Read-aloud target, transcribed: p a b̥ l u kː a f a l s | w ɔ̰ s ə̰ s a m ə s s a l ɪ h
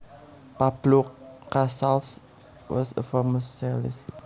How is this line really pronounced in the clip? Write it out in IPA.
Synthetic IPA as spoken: p a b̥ l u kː a s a l s | w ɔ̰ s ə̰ f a m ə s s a l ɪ s